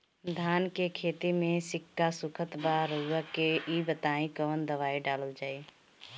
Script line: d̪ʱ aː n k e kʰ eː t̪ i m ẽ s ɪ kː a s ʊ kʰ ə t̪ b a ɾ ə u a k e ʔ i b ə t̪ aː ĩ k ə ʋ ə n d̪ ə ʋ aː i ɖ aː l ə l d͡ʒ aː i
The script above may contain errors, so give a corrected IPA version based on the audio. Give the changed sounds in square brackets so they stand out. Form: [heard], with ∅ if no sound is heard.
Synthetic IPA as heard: d̪ʱ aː n k e kʰ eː t̪ i m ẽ s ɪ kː a s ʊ kʰ ə t̪ b a ɾ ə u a k e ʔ i b ə t̪ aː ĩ k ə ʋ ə n d̪ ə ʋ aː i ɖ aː l ə l d͡ʒ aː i